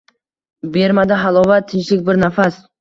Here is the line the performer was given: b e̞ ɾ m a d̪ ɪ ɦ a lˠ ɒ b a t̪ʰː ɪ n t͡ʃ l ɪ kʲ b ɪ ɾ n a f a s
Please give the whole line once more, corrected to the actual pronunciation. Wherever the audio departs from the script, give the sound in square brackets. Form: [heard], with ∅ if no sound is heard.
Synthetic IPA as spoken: b e̞ ɾ m a d̪ ɪ ɦ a lˠ ɒ [v] a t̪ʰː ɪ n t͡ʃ l ɪ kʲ b ɪ ɾ n a f a s